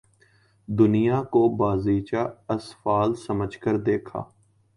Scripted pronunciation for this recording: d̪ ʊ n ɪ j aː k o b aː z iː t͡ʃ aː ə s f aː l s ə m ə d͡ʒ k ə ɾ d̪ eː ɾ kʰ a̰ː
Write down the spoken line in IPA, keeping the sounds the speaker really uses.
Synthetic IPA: d̪ ʊ n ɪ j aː k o b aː z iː t͡ʃ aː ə s f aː l s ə m ə d͡ʒ k ə ɾ d̪ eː kʰ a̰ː